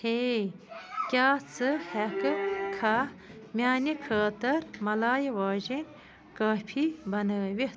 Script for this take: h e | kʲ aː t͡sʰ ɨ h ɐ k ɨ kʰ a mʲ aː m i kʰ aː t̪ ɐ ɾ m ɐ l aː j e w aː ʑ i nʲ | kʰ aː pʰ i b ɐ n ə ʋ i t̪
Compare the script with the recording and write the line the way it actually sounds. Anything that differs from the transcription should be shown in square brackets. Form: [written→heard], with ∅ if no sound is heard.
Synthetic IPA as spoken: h e | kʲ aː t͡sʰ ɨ h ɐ k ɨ kʰ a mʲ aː [m→n] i kʰ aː t̪ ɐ ɾ m ɐ l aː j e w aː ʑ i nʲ | [kʰ→k] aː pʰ i b ɐ n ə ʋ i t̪